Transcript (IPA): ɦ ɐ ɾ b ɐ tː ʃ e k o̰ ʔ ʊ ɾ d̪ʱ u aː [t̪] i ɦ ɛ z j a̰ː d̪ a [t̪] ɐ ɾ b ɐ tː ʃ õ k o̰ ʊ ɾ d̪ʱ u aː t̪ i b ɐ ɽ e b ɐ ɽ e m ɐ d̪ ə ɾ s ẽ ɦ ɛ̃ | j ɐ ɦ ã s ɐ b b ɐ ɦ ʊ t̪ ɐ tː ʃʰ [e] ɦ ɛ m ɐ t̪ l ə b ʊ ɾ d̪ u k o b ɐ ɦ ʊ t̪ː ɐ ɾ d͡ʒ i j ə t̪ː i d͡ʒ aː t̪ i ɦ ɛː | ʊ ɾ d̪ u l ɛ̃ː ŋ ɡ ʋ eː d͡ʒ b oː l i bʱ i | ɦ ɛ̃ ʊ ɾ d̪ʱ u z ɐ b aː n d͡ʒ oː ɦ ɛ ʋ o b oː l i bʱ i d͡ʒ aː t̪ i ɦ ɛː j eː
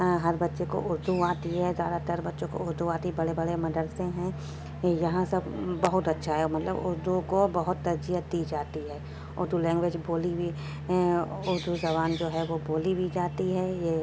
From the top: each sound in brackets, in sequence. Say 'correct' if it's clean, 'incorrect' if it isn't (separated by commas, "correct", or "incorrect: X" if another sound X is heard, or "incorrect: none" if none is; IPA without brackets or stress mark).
correct, correct, incorrect: a